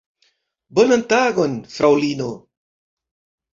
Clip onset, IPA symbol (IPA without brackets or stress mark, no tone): b